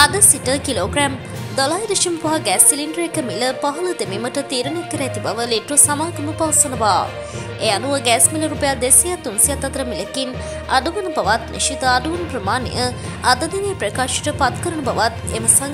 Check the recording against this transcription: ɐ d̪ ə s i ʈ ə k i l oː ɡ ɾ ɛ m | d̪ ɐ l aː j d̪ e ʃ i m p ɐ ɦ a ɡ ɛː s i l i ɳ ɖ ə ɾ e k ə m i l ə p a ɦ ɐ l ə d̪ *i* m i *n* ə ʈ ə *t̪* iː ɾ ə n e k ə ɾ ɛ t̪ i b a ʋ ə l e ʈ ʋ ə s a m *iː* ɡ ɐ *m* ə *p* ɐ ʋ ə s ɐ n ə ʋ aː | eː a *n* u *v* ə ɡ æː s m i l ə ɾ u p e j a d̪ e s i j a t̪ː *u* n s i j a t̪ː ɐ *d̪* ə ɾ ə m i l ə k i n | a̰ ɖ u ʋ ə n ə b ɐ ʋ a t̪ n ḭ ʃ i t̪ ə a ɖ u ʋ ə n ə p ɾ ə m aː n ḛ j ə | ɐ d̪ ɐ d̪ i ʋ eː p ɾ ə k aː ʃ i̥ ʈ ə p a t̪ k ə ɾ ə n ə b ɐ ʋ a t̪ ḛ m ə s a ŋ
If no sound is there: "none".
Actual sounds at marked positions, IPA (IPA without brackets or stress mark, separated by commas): e, m, t̪, aː, m, p, n, ʋ, u, t̪